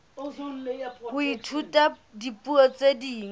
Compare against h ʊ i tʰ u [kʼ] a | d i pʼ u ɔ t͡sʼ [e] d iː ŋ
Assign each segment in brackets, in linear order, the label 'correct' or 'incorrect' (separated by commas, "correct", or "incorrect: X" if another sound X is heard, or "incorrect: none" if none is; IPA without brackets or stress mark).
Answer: incorrect: tʼ, correct